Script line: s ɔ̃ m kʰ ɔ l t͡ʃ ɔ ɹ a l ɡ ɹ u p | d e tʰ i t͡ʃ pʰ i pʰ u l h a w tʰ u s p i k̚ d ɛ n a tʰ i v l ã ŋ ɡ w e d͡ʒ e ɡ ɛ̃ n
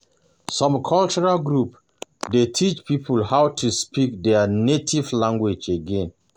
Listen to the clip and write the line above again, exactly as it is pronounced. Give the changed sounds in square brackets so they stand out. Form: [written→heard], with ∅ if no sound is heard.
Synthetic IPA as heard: s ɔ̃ m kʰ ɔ l t͡ʃ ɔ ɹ a l ɡ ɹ u p | d e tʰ i t͡ʃ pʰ i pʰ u l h a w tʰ u s p i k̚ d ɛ n [a→e] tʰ i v l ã ŋ ɡ w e d͡ʒ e ɡ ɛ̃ n